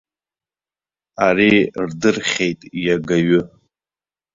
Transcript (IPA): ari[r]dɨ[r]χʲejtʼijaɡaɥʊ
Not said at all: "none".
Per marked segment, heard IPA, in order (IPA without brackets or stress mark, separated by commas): r, r